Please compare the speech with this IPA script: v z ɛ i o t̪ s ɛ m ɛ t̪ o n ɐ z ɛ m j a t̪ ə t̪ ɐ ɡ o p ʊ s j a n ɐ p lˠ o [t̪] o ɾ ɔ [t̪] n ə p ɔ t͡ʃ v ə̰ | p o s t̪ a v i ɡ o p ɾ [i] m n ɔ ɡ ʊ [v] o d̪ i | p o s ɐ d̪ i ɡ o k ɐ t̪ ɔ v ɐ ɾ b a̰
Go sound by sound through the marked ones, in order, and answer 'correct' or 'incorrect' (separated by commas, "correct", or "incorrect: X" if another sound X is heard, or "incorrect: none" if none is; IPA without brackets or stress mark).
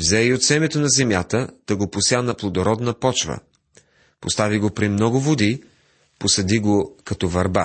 incorrect: d̪, incorrect: d̪, correct, correct